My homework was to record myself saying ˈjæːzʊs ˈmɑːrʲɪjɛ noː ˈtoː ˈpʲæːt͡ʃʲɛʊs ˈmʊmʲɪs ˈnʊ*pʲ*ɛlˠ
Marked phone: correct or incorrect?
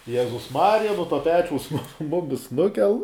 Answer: incorrect